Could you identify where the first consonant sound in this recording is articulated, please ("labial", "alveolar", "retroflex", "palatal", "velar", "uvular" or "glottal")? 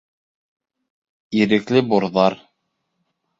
alveolar